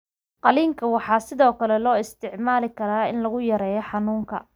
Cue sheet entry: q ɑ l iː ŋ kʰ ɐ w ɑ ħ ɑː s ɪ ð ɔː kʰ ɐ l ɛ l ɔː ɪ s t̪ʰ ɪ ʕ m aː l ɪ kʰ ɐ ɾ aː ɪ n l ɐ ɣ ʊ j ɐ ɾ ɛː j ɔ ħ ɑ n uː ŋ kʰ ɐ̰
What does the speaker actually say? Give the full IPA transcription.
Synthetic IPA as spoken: q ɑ l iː ŋ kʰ ɐ w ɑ ħ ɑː s ɪ ð ɔː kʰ ɐ l ɛ l ɔː ɪ s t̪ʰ ɪ ʕ m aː l ɪ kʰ ɐ ɾ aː ɪ n l ɐ ɣ ʊ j ɐ ɾ ɛː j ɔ ħ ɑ n uː ŋ kʰ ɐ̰